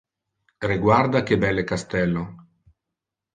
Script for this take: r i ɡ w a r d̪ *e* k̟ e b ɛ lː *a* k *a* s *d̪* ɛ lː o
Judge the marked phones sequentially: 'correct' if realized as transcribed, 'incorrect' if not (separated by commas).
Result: incorrect, incorrect, correct, incorrect